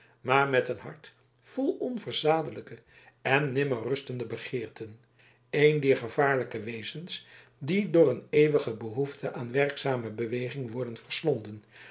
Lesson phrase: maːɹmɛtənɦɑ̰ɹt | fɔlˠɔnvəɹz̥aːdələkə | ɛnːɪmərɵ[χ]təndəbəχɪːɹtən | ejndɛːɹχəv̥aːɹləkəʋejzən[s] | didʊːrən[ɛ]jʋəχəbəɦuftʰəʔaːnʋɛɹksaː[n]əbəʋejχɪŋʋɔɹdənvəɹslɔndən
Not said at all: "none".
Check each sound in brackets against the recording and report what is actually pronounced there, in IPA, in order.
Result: s, s, e, m

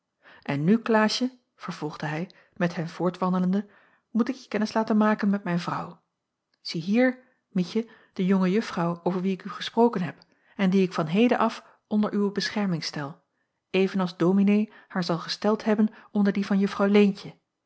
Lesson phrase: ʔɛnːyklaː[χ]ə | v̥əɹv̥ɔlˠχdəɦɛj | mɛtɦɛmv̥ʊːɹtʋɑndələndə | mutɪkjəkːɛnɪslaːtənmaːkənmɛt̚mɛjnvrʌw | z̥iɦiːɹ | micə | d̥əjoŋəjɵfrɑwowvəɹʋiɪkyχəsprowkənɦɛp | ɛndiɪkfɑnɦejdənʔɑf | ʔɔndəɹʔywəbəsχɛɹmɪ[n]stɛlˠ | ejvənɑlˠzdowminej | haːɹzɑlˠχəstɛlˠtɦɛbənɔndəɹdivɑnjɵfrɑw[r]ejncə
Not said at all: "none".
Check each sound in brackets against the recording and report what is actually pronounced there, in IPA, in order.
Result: ʃ, ŋ, l

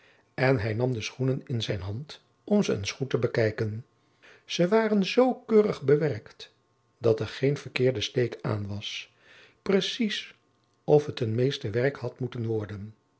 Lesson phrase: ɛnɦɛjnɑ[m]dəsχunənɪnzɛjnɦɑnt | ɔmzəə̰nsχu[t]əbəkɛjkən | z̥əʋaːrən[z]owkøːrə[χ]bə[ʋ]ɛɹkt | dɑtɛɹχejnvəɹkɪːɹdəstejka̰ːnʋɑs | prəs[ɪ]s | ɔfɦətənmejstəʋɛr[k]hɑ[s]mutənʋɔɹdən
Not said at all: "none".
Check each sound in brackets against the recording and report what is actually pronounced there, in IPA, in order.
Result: m, t, z, χ, ʋ, i, k, t

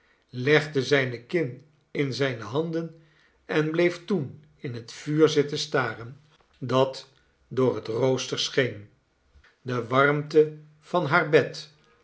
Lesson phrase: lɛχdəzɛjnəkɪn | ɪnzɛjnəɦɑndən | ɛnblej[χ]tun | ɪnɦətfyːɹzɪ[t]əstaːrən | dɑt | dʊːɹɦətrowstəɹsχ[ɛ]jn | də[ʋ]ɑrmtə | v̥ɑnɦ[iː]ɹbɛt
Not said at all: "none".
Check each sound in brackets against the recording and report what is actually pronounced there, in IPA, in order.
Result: f, t, e, ʋ, aː

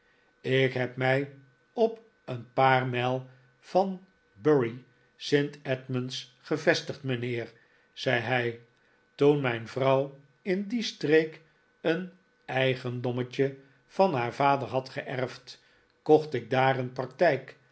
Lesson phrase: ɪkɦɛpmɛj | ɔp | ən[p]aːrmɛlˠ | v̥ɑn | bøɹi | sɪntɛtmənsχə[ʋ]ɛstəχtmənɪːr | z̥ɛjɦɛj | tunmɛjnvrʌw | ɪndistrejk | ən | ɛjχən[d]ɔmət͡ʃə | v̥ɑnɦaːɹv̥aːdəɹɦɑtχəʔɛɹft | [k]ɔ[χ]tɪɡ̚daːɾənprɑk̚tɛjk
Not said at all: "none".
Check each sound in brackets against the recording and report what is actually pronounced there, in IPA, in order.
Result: p, v, d, k, χ

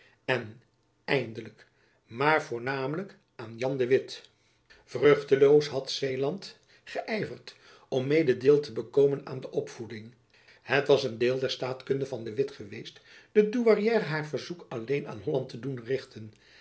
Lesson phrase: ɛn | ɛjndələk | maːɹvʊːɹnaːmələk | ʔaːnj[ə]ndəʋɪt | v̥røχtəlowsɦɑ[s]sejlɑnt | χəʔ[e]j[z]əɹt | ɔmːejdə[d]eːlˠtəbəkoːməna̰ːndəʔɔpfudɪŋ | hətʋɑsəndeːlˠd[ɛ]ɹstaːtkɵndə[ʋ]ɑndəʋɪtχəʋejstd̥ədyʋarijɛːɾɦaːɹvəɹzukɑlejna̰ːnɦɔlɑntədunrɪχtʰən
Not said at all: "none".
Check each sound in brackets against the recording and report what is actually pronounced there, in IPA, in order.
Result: ɑ, t, ɛ, v, d, ɛ, v

